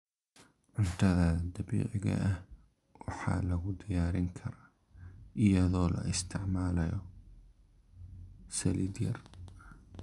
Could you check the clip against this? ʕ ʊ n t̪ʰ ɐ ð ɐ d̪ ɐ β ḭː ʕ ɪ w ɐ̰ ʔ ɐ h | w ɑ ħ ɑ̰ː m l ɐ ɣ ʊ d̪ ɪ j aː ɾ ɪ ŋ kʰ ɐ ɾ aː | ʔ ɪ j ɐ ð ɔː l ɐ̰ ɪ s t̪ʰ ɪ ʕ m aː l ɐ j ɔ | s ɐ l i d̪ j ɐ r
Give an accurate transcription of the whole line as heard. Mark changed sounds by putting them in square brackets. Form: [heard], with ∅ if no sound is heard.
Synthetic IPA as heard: ʕ ʊ n t̪ʰ ɐ ð ɐ d̪ ɐ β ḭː ʕ ɪ [ɣ] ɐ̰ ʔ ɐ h | w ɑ ħ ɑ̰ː [∅] l ɐ ɣ ʊ d̪ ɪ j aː ɾ ɪ ŋ kʰ ɐ ɾ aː | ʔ ɪ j ɐ ð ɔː l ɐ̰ ɪ s t̪ʰ ɪ ʕ m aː l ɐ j ɔ | s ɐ l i d̪ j ɐ r